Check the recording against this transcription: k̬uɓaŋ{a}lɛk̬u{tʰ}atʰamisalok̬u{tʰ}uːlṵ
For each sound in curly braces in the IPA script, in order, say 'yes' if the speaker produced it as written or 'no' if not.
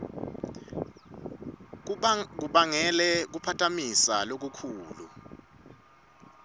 no, no, no

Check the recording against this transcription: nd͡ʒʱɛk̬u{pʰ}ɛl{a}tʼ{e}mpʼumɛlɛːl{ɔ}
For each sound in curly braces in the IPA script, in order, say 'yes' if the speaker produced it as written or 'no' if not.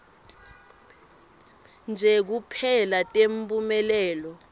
yes, yes, yes, yes

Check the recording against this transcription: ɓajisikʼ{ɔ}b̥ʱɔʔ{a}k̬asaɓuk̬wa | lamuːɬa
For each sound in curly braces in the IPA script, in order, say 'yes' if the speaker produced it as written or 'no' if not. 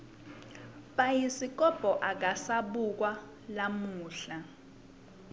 yes, yes

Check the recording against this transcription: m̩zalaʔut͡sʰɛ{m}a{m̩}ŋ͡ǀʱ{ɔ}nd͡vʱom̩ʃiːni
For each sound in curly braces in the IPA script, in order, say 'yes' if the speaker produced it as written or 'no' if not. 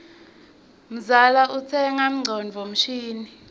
no, yes, yes

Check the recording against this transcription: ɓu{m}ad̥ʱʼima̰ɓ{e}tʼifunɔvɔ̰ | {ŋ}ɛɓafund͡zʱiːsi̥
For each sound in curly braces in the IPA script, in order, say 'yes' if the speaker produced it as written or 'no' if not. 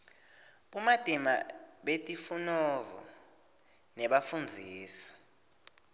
yes, yes, no

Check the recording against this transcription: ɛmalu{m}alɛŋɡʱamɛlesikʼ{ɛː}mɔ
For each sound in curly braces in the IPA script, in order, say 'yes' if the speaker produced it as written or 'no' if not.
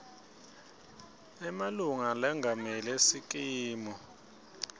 no, no

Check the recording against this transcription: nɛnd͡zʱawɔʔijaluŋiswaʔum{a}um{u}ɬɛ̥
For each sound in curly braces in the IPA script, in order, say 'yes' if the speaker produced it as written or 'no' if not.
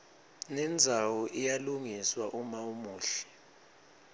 yes, no

